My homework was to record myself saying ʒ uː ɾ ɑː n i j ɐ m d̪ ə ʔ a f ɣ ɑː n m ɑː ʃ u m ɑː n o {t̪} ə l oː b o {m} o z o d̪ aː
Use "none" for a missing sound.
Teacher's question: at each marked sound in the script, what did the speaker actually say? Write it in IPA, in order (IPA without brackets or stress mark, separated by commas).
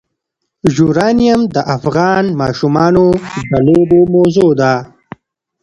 d̪, m